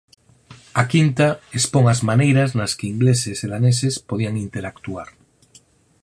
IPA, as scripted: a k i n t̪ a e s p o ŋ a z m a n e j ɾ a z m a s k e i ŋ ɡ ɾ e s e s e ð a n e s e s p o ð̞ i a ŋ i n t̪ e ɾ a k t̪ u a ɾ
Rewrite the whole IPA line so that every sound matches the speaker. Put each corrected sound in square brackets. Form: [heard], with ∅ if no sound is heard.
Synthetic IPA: a k i n t̪ a e s p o ŋ a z m a n e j ɾ a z [n] a s k e i ŋ ɡ [l] e s e s e ð a n e s e s p o ð̞ i a ŋ i n t̪ e ɾ a k t̪ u a ɾ